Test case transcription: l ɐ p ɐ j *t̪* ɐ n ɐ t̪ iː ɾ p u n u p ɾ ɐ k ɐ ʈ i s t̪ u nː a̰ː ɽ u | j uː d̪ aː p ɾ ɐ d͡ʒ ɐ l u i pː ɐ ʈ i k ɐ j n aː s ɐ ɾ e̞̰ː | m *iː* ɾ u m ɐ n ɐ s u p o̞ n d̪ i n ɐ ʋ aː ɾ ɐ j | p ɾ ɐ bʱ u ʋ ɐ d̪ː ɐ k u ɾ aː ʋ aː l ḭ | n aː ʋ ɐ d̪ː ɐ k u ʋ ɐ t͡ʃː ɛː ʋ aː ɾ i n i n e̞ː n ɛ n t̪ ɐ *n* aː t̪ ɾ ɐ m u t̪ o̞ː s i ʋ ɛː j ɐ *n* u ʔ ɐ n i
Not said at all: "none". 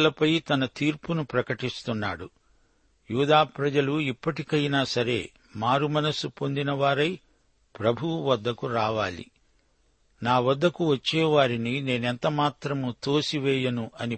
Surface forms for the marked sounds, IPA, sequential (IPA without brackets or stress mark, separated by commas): t̪, aː, m, n